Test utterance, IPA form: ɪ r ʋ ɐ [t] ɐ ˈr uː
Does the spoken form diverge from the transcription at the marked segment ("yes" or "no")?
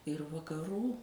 yes